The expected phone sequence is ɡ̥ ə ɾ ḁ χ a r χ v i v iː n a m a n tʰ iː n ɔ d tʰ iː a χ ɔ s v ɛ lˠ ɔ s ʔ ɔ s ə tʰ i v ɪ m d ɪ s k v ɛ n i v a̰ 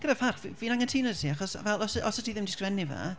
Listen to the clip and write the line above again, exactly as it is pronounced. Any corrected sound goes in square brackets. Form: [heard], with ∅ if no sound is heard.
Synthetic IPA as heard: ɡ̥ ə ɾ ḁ [f] a r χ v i v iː n a [ŋ] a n tʰ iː n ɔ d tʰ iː a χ ɔ s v ɛ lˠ ɔ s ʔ ɔ s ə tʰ i [ð] ɪ m d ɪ s k v ɛ n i v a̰

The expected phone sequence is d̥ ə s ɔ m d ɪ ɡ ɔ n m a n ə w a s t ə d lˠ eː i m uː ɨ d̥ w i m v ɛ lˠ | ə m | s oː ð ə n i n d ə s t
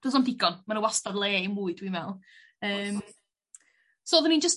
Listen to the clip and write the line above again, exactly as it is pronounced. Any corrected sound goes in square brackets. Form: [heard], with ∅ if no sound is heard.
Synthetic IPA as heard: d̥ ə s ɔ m d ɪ ɡ ɔ n m a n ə w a s t [a] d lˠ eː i m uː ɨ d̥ w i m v ɛ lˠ | [əː] m | s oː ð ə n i n [d͡ʒ] ə s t

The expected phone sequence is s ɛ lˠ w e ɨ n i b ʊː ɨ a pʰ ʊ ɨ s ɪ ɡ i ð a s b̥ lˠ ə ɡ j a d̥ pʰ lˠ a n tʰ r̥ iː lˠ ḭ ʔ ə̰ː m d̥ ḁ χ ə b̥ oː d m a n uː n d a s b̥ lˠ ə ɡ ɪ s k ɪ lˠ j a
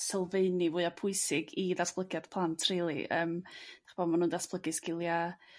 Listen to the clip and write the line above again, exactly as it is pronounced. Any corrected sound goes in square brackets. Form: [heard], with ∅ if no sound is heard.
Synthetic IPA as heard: s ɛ lˠ [v] e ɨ n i [v] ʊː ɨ a pʰ ʊ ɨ s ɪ ɡ i ð a s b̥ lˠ ə ɡ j a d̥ pʰ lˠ a n tʰ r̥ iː lˠ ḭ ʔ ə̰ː m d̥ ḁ χ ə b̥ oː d m a n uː n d a s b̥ lˠ ə ɡ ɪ s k ɪ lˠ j a

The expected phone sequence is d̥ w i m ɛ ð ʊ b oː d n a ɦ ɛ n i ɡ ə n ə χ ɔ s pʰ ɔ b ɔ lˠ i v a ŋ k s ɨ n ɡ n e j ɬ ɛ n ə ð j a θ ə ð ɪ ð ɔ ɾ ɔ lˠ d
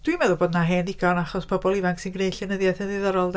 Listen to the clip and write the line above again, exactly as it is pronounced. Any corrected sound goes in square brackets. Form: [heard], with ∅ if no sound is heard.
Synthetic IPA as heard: d̥ w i m ɛ ð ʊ b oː d n a ɦ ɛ n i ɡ [a] n [a] χ ɔ s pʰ ɔ b ɔ lˠ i v a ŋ k s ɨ n ɡ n e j ɬ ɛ n ə ð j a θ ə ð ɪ ð ɔ ɾ ɔ lˠ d

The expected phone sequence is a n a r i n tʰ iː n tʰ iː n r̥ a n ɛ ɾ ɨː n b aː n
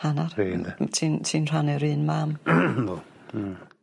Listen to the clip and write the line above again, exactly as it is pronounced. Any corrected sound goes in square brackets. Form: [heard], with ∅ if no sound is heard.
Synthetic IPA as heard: a n a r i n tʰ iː n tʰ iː n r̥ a n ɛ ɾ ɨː n [m] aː [m]

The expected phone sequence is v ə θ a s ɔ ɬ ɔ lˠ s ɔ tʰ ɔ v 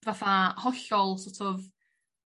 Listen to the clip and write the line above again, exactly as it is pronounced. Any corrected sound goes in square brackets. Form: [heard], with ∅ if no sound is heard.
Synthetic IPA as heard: v [a] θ a [h] ɔ ɬ ɔ lˠ s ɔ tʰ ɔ v

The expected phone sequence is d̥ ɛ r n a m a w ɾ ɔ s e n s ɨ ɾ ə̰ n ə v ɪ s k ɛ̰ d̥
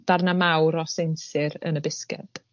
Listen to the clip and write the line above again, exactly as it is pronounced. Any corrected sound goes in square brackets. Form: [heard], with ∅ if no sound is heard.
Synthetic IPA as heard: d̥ [a] r n a m a w ɾ ɔ s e n s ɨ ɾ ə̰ n ə [b] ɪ s k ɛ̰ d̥

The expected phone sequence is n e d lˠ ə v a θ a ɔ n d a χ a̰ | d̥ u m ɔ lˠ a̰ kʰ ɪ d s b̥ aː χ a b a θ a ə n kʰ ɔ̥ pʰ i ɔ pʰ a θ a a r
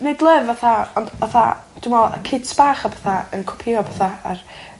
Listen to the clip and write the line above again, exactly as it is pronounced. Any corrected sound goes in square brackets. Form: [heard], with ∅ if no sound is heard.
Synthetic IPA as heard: n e d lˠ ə v a θ a ɔ n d a [θ] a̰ | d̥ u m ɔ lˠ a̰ kʰ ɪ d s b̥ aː χ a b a θ a ə n kʰ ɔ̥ pʰ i ɔ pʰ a θ a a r

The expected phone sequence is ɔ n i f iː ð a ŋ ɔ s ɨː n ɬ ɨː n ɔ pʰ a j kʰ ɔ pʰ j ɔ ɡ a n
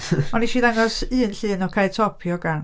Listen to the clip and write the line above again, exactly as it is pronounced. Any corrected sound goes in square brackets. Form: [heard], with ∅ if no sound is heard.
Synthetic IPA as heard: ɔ n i [ʃ] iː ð a ŋ ɔ s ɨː n ɬ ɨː n ɔ [kʰ] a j [tʰ] ɔ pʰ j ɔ ɡ a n

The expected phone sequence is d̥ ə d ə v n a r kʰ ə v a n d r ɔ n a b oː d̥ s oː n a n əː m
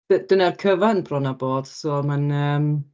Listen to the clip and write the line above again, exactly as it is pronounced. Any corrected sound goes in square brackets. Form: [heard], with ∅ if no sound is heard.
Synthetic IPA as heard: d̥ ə d ə [∅] n a r kʰ ə v a n [b] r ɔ n a b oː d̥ s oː [m] a n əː m

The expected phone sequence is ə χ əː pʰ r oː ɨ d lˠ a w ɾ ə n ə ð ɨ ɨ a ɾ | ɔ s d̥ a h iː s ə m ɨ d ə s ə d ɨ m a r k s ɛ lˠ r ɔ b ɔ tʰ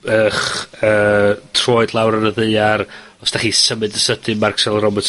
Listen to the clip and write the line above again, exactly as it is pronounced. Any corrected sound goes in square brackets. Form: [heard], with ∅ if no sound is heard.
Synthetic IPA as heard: ə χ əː [tʰ] r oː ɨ d lˠ a w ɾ ə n ə ð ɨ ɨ a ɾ | ɔ s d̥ a [χ] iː s ə m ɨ d ə s ə d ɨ m a r k s ɛ lˠ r ɔ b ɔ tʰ

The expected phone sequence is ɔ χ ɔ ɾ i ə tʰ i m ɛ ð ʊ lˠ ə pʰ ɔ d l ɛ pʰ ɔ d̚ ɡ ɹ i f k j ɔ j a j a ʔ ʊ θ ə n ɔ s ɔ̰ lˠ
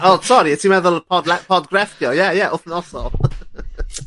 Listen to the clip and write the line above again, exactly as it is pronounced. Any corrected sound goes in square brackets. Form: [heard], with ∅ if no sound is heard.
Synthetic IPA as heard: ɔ [s] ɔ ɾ i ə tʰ i m ɛ ð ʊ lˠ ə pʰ ɔ d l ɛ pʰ ɔ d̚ ɡ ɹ [ɛ] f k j ɔ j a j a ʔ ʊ θ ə n ɔ s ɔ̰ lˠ

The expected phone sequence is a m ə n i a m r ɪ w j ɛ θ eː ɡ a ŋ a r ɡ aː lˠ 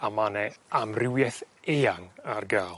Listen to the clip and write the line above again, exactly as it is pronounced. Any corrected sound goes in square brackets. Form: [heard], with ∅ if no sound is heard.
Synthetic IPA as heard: a m [a] n [ɛ] a m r ɪ w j ɛ θ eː [∅] a ŋ a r ɡ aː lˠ

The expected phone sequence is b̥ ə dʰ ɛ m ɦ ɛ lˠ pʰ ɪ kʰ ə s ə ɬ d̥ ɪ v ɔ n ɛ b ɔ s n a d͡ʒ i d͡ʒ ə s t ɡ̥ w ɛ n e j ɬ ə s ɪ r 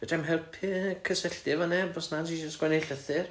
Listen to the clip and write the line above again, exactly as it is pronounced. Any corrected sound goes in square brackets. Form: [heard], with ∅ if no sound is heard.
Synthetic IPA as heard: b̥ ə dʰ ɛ m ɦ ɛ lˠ pʰ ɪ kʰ ə s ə ɬ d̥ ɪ v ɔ n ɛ b ɔ s n a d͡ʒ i d͡ʒ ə s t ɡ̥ w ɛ n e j ɬ ə [θ] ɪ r

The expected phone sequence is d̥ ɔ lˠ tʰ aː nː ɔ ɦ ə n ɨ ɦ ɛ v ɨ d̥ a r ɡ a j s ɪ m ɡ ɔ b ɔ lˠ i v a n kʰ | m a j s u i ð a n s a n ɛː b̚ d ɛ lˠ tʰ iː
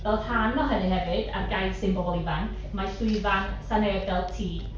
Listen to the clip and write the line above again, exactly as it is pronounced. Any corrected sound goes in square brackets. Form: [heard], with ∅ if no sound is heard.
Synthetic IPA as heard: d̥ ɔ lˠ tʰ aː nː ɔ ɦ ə n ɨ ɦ ɛ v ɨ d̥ a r ɡ a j s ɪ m [b] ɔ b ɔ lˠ i v a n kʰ | m a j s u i [v] a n s a n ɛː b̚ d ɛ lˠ tʰ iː

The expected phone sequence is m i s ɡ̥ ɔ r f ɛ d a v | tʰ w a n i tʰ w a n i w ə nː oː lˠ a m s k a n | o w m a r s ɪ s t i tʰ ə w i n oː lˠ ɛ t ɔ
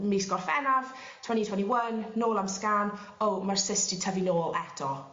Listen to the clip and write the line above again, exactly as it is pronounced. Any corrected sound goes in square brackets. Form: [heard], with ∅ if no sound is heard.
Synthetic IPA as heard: m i s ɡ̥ ɔ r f ɛ [n] a v | tʰ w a n i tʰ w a n i w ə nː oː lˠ a m s k a n | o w m a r s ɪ s t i tʰ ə [v] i n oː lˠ ɛ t ɔ

